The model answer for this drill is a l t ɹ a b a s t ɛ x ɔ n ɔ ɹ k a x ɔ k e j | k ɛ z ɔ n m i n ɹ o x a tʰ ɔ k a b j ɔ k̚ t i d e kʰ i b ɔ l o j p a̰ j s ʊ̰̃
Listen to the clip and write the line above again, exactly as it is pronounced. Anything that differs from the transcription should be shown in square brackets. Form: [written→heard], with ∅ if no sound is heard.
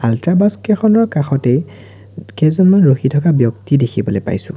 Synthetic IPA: a l t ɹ a b a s [t→k] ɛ x ɔ n ɔ ɹ k a x ɔ [k→t] e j | k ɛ z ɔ n m [i→a] n ɹ o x [a→i] tʰ ɔ k a b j ɔ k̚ t i d e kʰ i b ɔ l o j p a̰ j s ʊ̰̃